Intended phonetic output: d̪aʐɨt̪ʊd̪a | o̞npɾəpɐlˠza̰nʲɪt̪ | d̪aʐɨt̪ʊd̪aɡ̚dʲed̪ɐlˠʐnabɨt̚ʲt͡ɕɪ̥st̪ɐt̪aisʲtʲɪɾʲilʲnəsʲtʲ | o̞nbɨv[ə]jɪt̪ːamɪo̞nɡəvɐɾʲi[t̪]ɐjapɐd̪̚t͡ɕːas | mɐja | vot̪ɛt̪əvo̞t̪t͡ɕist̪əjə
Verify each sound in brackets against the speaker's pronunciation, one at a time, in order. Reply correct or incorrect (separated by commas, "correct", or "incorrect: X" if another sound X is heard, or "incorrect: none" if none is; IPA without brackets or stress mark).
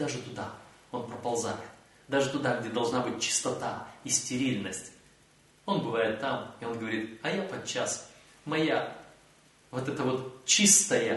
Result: incorrect: a, correct